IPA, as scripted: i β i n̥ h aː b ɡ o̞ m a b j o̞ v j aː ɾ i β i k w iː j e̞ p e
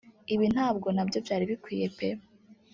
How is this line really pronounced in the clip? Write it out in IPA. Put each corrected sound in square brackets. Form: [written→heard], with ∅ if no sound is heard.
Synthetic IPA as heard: i β i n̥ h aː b ɡ o̞ [m→n] a b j o̞ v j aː ɾ i β i k w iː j e̞ p e